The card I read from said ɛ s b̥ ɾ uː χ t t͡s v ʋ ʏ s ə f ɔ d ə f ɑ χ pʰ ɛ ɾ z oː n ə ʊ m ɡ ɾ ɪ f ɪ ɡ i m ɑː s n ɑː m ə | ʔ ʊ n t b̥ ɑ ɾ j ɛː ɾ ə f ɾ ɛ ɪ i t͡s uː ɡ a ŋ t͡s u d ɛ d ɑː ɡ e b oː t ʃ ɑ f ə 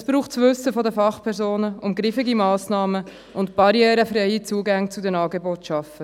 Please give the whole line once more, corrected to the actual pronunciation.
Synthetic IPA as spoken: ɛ s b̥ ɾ uː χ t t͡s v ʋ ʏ s ə f ɔ d ə f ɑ χ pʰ ɛ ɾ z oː n ə ʊ m ɡ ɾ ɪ f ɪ ɡ i m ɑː s n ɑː m ə | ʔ ʊ n t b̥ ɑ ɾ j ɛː ɾ ə f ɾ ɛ ɪ i t͡s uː ɡ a ŋ t͡s u d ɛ n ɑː ɡ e b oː t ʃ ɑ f ə